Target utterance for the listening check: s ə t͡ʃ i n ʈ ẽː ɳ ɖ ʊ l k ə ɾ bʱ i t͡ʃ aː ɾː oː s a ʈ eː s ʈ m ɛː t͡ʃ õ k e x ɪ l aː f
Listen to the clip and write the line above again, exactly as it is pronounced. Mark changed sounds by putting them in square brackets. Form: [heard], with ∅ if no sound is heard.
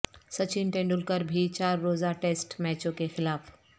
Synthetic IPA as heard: s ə t͡ʃ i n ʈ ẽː ɳ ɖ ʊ l k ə ɾ bʱ i t͡ʃ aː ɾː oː [z] a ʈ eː s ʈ m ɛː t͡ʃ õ k e x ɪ l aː f